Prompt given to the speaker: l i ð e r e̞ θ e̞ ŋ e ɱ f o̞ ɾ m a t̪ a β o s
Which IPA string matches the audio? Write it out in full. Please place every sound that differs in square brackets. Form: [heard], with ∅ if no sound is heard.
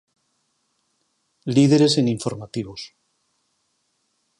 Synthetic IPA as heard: l i ð e [ɾ] e̞ [s] e̞ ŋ [i] ɱ f o̞ ɾ m a t̪ [i] β o s